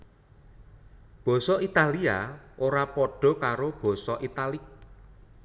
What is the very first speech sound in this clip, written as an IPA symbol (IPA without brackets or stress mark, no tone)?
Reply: b̥